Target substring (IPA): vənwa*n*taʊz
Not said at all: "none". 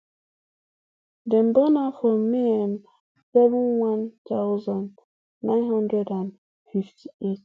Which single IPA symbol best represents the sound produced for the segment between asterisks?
n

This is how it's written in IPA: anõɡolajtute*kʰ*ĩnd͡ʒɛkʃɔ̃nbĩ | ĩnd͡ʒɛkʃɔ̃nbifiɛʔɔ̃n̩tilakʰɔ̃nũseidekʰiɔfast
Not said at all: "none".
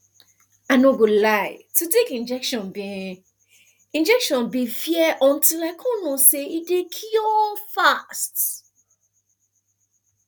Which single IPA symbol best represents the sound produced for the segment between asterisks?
k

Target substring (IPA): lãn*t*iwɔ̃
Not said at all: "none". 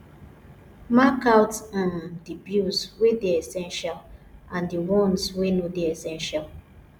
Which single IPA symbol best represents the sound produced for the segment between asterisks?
d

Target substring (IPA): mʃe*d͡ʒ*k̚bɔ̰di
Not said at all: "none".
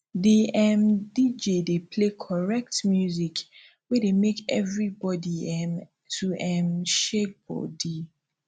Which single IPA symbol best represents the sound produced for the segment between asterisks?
none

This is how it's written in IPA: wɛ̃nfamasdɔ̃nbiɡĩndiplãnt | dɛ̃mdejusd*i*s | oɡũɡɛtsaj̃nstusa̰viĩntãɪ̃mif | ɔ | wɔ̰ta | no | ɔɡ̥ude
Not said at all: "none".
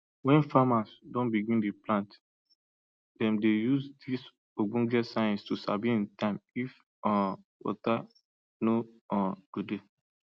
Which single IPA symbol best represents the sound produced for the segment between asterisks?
i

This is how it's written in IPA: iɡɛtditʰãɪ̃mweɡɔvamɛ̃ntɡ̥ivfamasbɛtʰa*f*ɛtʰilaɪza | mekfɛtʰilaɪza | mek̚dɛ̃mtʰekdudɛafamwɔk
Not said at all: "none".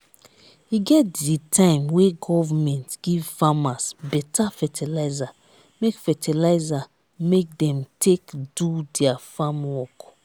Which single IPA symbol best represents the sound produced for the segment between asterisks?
f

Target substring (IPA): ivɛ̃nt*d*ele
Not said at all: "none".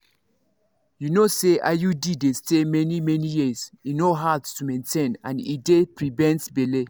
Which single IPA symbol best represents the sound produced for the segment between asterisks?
b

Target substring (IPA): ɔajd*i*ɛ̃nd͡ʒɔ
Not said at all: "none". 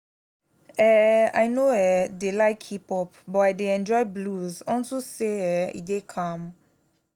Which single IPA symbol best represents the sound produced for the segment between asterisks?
e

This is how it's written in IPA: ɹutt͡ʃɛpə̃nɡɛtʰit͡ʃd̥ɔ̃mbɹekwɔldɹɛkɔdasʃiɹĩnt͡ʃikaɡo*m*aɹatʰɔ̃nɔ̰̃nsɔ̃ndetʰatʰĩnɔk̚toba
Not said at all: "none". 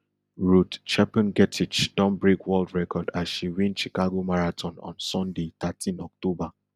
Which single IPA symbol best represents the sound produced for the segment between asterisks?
m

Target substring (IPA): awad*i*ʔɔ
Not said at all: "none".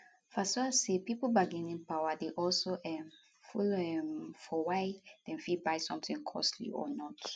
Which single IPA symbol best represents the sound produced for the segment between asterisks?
e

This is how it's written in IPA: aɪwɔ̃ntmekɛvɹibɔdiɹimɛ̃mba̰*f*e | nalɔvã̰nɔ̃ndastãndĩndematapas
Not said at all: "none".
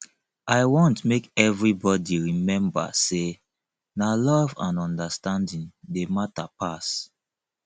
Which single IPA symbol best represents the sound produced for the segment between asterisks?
s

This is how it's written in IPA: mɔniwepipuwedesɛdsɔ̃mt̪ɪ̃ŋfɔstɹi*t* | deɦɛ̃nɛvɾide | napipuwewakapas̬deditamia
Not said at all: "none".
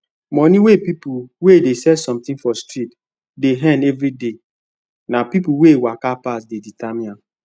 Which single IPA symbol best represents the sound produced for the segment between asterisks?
t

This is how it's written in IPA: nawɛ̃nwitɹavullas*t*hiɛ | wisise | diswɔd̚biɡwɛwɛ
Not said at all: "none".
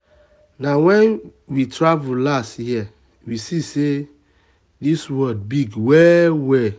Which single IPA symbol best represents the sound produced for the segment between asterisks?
t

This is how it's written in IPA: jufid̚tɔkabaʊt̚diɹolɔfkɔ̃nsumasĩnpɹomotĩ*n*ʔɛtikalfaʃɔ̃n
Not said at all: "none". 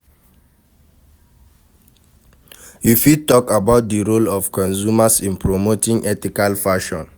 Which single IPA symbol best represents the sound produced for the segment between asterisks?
ŋ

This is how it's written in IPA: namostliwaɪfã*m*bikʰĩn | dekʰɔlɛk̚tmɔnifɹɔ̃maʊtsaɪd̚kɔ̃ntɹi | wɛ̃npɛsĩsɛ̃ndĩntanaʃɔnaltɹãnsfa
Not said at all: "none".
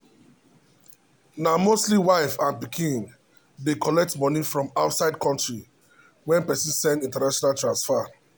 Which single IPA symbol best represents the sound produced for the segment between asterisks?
n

